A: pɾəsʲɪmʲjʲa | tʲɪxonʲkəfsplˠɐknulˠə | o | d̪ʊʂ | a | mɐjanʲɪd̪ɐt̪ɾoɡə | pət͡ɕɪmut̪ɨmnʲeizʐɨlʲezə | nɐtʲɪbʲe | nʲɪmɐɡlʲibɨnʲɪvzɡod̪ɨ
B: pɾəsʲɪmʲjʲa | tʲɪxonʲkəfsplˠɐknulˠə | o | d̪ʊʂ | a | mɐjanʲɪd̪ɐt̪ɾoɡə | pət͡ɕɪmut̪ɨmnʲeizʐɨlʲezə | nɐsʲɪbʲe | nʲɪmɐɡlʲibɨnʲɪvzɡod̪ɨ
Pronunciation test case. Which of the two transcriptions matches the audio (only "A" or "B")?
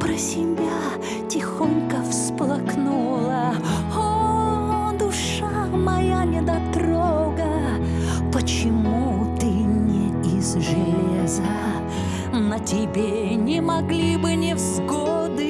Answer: A